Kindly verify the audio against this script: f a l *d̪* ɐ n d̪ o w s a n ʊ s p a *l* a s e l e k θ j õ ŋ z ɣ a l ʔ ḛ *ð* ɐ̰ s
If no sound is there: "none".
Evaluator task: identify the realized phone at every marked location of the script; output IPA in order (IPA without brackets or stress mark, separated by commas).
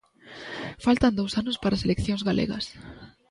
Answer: t̪, ɾ, ɣ